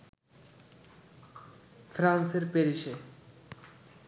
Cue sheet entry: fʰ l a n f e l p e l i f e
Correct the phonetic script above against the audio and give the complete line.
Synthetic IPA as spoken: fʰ ɾ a n s e ɾ p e ɾ i ʃ e